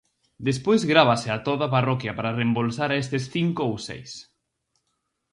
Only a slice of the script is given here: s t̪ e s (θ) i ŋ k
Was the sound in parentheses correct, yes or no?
yes